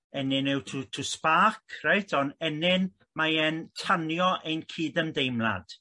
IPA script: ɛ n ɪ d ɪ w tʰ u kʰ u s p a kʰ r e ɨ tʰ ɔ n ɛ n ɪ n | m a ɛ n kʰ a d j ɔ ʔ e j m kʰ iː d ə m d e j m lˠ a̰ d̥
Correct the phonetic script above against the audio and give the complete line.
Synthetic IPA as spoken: ɛ n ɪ n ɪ w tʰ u tʰ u s p a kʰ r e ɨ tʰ ɔ n ɛ n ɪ n | m a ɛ n tʰ a n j ɔ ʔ e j n kʰ iː d ə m d e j m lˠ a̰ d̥